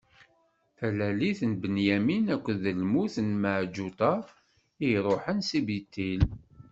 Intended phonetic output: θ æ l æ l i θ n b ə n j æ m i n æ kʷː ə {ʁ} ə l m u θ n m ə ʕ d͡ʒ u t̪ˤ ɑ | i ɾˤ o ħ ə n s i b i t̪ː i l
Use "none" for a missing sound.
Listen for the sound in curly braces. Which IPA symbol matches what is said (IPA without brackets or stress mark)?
ð